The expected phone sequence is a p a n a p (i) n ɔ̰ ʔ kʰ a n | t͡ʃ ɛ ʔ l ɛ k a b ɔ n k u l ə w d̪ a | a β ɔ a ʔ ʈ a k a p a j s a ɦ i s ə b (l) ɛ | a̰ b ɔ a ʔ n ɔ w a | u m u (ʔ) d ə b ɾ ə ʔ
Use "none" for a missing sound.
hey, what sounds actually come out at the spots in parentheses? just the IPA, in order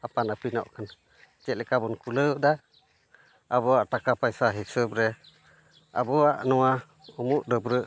i, ɾ, ʔ

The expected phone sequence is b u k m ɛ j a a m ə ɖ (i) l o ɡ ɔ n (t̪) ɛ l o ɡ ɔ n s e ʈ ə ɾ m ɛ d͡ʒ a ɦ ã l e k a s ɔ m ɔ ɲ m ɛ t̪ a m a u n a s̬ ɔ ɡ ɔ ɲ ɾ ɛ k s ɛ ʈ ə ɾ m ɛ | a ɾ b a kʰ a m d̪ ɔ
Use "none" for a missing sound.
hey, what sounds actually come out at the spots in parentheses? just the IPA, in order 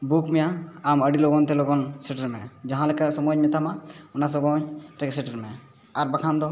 i, t̪

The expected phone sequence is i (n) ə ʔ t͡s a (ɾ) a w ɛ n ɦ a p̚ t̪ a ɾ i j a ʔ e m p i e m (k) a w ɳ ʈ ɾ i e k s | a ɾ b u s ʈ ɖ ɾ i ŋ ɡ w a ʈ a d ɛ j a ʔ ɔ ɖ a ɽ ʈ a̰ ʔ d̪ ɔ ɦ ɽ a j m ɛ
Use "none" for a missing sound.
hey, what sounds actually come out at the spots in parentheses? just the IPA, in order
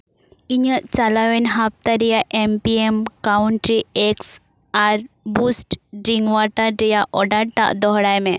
ɲ, l, k

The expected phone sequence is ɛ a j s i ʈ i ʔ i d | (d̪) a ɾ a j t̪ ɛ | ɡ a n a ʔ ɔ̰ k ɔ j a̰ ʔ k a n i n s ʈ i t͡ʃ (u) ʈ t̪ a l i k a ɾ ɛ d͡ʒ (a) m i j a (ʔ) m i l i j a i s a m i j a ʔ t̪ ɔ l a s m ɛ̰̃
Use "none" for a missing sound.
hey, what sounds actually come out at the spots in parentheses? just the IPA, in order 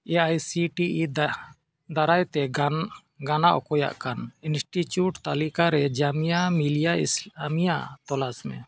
d̪, u, a, none

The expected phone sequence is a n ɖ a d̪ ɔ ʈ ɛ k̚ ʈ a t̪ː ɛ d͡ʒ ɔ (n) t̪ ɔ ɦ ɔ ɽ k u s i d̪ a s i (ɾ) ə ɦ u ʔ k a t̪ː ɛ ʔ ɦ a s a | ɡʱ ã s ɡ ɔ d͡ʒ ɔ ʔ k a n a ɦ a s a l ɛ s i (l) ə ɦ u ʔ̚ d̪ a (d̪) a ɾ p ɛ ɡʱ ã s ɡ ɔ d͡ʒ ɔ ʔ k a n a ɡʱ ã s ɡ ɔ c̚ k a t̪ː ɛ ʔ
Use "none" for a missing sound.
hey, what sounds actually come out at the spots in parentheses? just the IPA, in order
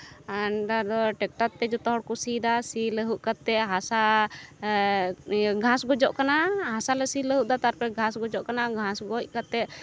none, l, l, t̪

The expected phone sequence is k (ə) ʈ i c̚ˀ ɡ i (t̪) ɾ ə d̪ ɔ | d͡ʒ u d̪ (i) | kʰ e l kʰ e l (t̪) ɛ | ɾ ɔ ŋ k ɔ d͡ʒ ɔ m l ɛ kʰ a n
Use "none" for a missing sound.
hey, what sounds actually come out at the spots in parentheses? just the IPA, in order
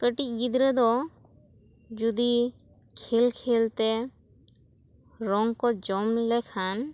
ə, d̪, i, t̪

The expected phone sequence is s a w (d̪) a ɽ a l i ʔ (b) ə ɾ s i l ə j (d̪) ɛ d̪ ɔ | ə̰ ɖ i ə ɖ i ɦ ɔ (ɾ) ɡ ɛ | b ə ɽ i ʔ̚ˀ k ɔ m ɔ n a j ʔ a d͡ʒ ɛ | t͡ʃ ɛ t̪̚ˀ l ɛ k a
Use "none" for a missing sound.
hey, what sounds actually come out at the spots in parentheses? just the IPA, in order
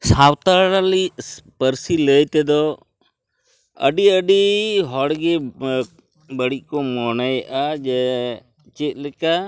t̪, p, t̪, ɽ

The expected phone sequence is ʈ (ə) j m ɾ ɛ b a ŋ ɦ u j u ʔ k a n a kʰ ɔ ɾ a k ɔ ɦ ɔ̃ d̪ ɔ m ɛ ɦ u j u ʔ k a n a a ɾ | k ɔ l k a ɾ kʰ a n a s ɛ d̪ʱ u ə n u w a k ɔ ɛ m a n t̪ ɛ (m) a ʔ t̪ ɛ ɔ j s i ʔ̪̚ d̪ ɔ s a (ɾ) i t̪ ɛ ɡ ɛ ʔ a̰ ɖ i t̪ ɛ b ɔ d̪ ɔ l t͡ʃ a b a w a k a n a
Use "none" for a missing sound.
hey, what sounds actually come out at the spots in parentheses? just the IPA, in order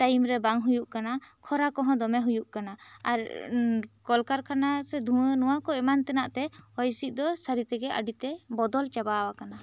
a, n, ɾ

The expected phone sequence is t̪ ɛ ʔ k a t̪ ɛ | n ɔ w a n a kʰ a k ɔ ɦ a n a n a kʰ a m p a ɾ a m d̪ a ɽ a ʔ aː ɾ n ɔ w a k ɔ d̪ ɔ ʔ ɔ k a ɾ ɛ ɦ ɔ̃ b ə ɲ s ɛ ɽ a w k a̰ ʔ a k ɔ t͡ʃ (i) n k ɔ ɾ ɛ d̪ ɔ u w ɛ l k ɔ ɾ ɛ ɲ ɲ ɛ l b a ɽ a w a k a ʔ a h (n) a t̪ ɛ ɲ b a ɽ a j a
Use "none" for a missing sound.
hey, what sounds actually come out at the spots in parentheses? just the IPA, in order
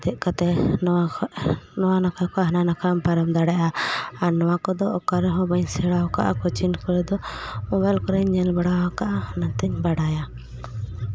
i, n

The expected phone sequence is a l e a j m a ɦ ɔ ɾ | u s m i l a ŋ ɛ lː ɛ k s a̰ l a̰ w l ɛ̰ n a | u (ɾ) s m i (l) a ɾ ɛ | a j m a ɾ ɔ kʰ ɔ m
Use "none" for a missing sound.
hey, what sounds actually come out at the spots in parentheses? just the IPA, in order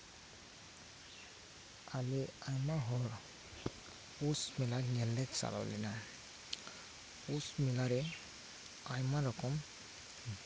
none, l

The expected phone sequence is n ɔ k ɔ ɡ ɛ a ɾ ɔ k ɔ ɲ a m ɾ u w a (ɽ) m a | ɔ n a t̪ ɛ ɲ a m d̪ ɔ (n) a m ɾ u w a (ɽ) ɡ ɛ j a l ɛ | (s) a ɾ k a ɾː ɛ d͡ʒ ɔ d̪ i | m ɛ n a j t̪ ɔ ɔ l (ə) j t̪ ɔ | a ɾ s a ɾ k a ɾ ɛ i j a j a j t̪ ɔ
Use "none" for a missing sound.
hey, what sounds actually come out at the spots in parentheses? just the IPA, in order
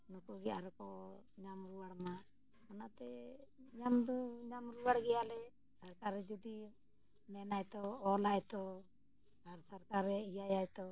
ɽ, ɲ, ɽ, s, a

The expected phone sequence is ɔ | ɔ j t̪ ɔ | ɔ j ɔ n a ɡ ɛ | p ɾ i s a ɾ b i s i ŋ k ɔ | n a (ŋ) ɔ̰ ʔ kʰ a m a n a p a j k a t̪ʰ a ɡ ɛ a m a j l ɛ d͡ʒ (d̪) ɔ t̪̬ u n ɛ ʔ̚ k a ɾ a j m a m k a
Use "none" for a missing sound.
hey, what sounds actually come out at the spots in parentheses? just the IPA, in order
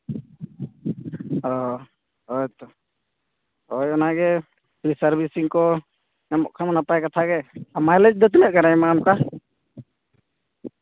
m, d̪

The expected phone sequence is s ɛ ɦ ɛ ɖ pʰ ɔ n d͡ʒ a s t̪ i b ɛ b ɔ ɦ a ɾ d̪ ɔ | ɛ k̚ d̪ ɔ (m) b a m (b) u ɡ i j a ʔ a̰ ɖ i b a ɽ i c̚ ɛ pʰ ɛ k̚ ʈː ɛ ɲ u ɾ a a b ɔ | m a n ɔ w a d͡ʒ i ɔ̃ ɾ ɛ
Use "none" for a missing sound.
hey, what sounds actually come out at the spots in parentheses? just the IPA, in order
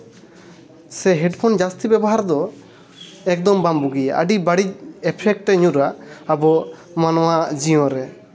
m, b

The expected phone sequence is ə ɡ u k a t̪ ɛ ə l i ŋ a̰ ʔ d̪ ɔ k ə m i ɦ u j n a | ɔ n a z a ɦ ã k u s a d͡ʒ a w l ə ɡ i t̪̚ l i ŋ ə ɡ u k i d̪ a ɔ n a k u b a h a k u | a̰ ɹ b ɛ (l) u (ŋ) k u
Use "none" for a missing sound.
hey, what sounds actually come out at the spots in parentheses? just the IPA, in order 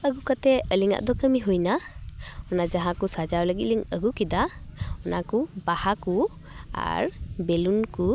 l, n

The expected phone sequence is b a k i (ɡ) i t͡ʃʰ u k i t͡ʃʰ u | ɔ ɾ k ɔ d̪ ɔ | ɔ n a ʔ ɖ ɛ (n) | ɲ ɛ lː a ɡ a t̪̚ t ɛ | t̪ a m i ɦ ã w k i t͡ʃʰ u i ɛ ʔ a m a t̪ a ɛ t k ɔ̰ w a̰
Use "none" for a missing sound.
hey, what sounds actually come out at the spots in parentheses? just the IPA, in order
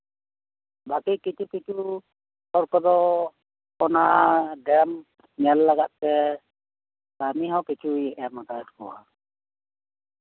k, m

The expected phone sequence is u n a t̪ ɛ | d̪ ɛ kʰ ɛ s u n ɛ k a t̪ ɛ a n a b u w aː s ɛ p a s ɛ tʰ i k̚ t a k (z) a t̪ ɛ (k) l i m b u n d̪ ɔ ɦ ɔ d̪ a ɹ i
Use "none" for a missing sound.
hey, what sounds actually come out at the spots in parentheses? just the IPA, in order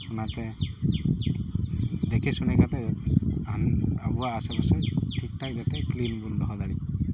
z, k

